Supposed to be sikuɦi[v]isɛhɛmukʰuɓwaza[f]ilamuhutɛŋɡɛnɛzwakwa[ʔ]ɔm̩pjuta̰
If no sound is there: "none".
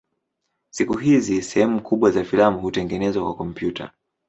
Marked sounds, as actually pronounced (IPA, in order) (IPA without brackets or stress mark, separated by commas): z, f, k